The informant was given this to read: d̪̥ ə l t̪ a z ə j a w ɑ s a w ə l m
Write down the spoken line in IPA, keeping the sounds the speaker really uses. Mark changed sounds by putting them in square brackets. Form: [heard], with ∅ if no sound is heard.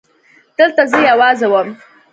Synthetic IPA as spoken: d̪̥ ə l t̪ a z ə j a w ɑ [z] a w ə [∅] m